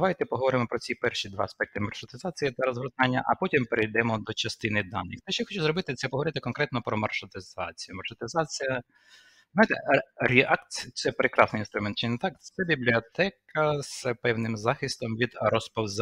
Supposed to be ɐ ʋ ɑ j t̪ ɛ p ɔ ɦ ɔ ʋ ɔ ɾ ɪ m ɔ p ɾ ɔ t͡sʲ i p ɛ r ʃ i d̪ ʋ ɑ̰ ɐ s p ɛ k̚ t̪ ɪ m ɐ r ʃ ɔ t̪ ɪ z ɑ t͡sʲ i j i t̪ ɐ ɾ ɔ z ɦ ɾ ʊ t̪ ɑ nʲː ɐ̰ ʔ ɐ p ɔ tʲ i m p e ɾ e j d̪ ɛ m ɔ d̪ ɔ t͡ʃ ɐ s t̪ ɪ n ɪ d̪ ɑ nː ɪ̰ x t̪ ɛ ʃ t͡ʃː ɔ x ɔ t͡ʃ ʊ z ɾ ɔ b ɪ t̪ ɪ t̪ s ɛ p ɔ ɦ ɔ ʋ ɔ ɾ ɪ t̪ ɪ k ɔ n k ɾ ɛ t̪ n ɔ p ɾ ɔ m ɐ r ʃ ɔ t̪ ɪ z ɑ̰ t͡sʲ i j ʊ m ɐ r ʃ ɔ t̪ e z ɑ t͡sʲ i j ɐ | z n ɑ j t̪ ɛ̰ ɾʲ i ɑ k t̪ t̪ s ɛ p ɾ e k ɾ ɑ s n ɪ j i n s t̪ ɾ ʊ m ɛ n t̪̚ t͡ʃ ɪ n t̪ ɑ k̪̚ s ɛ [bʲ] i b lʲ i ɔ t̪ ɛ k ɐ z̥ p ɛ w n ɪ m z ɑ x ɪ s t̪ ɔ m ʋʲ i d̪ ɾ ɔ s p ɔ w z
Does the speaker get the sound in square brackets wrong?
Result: no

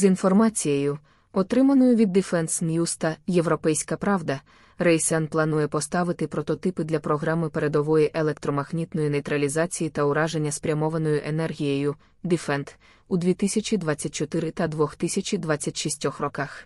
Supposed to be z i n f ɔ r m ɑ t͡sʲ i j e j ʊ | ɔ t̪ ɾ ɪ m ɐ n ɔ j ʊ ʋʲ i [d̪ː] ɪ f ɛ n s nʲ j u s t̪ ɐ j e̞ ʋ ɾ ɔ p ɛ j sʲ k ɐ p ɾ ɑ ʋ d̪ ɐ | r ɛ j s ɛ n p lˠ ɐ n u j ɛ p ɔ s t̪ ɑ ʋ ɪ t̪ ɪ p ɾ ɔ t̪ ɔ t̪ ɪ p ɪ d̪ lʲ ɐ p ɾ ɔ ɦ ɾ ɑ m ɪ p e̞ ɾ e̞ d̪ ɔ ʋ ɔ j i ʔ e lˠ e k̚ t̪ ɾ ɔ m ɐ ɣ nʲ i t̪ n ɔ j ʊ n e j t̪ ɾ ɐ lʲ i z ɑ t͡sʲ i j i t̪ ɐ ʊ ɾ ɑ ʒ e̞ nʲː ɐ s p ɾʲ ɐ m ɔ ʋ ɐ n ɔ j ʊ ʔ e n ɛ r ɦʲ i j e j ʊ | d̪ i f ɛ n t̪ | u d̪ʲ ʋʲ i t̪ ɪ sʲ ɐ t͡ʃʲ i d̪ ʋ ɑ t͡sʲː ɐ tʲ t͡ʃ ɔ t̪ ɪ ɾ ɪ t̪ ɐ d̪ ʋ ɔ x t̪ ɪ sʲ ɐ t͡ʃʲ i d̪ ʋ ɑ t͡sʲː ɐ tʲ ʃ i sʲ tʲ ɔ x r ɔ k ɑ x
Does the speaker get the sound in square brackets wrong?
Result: no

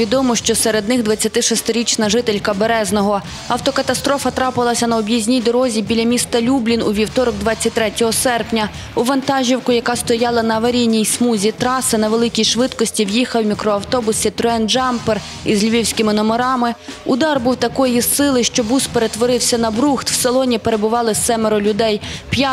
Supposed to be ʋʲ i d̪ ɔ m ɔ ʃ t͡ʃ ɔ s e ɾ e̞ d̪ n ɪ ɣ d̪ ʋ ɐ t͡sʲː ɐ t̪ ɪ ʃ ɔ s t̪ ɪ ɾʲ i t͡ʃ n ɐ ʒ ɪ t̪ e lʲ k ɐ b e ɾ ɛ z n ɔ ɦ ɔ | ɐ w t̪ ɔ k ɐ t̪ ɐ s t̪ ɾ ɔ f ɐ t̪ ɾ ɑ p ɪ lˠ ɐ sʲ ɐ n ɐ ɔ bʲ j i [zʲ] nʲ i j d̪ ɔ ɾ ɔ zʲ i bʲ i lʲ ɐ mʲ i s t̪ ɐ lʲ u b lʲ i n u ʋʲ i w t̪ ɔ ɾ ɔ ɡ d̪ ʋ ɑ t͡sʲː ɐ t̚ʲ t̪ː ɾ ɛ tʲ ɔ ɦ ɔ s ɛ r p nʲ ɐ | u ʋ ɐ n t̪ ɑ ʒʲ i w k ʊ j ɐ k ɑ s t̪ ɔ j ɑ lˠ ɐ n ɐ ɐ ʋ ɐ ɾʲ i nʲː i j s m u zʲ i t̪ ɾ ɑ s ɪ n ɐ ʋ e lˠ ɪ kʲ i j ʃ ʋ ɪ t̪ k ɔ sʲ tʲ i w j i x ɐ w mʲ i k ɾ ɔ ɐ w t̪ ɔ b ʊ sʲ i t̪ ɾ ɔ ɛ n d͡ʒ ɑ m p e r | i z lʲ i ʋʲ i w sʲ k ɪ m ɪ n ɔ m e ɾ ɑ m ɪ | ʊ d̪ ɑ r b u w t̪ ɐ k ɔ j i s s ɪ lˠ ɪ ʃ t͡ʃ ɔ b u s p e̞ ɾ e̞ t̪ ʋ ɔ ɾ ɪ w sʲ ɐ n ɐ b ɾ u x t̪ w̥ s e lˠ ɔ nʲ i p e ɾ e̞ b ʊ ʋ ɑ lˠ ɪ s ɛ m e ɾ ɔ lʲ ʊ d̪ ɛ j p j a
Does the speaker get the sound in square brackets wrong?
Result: no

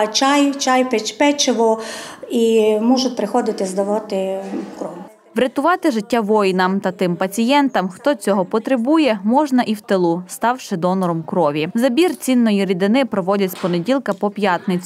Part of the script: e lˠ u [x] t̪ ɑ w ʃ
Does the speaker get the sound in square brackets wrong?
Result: yes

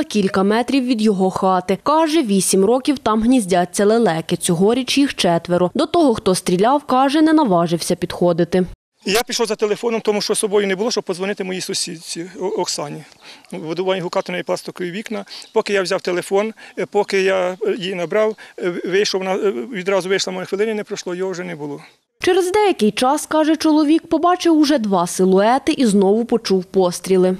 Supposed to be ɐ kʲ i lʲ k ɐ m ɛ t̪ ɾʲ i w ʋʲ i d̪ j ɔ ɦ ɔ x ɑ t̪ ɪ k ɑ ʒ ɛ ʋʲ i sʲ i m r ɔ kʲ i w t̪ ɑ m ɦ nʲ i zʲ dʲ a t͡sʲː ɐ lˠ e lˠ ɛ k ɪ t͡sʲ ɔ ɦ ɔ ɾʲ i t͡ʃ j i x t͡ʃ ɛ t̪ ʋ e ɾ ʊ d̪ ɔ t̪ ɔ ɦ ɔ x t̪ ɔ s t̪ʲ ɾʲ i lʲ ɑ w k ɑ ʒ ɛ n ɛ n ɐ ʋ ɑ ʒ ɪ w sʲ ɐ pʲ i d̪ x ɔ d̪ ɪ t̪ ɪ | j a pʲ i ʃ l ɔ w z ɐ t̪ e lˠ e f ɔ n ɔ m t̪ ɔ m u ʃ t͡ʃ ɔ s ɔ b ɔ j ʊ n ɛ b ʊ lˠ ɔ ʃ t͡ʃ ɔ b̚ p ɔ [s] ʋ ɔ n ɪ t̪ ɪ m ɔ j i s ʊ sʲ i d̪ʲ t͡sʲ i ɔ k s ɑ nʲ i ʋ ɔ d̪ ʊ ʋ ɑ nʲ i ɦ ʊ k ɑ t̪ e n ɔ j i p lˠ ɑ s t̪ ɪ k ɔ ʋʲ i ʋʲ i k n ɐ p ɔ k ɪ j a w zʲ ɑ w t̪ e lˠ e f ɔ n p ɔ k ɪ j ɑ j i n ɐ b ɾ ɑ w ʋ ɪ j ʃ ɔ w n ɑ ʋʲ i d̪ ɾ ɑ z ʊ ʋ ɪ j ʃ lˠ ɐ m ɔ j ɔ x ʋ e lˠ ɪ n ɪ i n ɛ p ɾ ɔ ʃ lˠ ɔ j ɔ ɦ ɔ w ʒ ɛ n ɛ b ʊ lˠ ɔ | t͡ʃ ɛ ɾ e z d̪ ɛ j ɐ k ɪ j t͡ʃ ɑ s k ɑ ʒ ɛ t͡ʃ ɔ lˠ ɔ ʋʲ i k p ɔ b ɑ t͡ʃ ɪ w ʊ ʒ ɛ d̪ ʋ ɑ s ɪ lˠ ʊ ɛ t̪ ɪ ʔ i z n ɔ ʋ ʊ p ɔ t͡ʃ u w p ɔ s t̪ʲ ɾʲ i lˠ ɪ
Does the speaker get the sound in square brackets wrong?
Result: yes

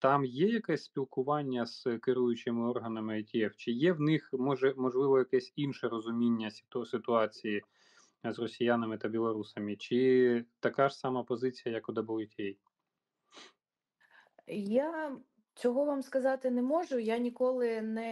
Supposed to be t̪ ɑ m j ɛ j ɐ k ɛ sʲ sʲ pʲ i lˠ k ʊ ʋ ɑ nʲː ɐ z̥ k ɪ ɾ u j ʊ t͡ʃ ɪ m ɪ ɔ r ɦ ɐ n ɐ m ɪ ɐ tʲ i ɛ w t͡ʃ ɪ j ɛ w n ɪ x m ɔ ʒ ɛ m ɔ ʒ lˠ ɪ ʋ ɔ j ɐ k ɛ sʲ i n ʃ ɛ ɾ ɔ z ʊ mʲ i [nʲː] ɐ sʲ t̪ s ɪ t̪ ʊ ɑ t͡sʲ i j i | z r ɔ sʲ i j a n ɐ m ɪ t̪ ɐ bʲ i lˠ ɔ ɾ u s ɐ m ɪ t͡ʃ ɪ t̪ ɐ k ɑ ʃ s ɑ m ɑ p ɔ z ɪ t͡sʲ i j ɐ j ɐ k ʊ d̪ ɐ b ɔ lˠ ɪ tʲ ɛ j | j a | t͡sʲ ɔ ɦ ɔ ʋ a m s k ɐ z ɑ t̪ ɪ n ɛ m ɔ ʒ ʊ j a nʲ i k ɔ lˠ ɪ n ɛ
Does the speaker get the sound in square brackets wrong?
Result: no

